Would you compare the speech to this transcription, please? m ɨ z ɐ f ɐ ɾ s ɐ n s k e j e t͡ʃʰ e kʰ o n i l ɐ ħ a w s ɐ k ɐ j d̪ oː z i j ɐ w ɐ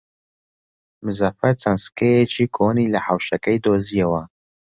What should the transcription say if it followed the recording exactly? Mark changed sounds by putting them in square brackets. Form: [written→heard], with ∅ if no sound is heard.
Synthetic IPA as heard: m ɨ z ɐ f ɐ ɾ [s→t͡s] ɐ n s k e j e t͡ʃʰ [e→i] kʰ o n i l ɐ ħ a w [s→ʃ] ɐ k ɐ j d̪ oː z i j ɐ w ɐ